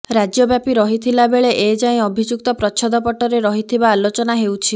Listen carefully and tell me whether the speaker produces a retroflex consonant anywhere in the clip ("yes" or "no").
yes